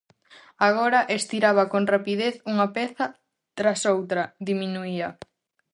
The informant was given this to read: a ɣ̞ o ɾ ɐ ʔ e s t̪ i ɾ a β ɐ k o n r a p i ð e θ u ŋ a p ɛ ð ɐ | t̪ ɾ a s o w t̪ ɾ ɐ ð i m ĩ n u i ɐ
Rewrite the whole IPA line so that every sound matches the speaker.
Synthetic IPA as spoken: a ɣ̞ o ɾ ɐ ʔ e s t̪ i ɾ a β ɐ k o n r a p i ð e θ u ŋ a p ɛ θ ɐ | t̪ ɾ a s o w t̪ ɾ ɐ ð i m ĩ n u i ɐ